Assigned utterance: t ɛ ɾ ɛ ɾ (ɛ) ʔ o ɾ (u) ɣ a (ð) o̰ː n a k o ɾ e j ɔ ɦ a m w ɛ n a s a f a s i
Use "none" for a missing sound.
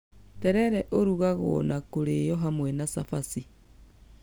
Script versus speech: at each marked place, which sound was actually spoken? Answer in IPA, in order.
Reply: ɛ, u, ɣ

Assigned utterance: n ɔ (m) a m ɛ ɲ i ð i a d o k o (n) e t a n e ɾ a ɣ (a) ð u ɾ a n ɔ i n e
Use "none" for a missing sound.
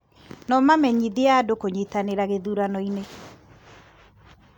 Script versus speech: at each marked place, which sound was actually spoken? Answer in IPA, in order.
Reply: m, ɲ, e

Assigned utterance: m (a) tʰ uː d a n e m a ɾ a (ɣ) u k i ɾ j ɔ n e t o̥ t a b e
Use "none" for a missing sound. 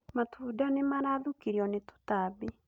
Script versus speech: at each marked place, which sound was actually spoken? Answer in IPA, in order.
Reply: a, ð

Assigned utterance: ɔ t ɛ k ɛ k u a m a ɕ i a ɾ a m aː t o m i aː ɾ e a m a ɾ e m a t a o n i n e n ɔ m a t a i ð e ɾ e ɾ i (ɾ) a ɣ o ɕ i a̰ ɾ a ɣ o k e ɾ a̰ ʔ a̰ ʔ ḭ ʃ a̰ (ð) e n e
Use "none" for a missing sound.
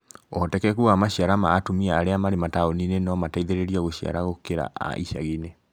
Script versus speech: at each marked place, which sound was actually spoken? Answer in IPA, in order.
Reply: none, ɣ

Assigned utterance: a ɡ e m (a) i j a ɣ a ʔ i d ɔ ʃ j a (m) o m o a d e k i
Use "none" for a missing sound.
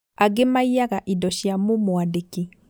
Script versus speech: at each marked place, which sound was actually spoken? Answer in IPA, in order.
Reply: a, m

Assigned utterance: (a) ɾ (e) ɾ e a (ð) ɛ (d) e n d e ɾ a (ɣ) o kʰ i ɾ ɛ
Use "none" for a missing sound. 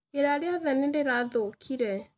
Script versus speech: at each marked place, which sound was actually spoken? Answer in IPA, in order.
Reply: e, a, ð, n, ð

